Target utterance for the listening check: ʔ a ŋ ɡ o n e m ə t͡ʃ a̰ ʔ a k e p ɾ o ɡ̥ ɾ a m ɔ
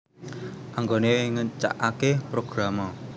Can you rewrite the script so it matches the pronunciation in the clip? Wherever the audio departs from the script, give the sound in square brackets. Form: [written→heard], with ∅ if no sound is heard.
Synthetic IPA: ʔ a ŋ ɡ o n e [m→ŋ] ə t͡ʃ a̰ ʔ a k e p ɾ o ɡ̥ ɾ a m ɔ